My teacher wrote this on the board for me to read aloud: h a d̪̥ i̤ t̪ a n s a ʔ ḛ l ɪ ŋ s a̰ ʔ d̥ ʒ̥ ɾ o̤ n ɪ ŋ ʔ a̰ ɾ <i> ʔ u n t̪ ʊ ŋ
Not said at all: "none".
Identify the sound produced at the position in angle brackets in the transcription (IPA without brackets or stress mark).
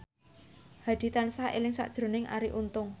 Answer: i